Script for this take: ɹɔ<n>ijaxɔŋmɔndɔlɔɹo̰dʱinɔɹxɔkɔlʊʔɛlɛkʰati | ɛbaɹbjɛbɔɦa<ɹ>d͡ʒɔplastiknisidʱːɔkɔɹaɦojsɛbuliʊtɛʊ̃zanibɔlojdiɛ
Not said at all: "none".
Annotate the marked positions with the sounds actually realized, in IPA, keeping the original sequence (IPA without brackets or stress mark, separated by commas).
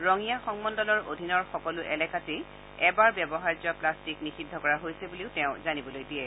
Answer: ŋ, ɹ